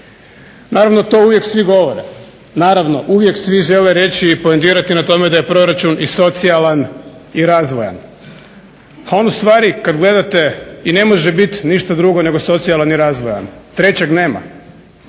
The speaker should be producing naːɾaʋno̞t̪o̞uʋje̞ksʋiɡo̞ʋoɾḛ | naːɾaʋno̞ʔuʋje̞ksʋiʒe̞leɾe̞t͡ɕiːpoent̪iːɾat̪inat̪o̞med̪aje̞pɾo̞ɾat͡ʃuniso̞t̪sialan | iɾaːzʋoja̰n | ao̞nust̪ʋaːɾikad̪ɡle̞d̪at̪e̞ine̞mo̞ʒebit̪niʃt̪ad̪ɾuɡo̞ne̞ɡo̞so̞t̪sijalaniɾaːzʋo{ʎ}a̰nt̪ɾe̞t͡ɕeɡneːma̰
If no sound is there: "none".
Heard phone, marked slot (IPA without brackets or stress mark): j